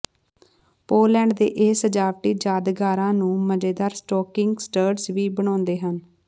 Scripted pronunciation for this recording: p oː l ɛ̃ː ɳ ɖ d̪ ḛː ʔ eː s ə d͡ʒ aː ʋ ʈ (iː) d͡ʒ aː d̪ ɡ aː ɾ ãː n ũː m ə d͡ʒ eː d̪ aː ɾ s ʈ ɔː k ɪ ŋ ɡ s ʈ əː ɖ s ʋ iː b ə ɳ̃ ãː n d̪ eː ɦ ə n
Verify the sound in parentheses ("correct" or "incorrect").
correct